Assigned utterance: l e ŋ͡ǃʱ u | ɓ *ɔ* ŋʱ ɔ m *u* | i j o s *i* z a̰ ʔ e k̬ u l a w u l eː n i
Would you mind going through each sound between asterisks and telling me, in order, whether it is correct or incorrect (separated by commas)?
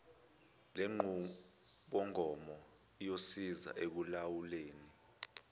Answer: correct, incorrect, correct